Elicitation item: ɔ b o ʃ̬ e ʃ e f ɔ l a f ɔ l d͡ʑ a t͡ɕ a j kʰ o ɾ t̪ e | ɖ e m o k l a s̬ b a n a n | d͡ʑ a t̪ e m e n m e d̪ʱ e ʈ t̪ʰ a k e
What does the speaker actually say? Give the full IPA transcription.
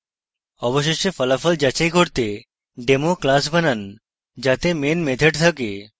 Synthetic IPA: ɔ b o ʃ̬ e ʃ e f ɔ l a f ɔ l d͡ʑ a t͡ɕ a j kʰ o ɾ t̪ e | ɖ e m o k l a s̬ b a n a n | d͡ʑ a t̪ e m e n m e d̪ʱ e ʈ t̪ʰ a k e